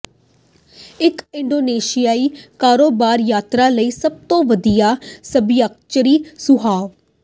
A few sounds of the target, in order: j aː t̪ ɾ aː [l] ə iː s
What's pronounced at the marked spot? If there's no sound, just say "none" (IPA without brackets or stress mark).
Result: l